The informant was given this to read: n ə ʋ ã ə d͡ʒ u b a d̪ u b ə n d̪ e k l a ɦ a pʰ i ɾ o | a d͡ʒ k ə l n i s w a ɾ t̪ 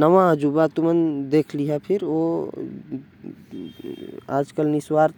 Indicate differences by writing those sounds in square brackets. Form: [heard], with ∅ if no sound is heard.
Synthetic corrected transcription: n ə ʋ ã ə d͡ʒ u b a [t̪] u [m] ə n d̪ e [kʰ] l [i] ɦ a pʰ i ɾ o | a d͡ʒ k ə l n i s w a ɾ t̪